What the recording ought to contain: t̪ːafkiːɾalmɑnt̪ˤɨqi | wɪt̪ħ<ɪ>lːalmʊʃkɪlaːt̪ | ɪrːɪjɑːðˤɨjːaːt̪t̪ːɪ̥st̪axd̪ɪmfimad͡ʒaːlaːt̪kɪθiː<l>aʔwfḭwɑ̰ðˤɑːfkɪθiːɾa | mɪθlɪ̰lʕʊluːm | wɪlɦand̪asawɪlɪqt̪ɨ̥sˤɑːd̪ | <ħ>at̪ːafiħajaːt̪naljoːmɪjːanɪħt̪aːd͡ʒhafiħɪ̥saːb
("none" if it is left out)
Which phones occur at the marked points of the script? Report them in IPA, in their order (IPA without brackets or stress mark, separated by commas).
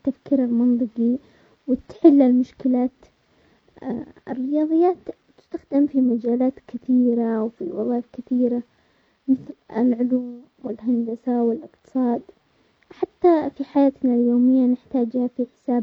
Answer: ɪ, ɾ, ħ